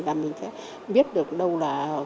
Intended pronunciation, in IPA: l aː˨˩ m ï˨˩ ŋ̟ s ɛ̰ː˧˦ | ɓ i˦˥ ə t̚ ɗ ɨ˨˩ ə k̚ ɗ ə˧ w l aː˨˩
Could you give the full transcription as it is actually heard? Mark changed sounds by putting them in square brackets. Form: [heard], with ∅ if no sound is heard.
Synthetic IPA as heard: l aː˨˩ m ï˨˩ ŋ̟ s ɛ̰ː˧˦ | ɓ i˦˥ ə t̚ ɗ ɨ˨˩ ə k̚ ɗ ə˧ w l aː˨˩